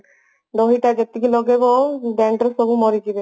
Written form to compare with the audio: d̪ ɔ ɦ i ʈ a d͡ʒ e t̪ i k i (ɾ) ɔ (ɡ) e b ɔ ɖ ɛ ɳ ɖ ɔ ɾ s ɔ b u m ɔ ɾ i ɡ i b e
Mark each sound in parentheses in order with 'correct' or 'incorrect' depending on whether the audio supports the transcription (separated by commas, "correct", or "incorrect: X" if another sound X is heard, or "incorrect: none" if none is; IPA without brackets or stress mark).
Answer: incorrect: l, correct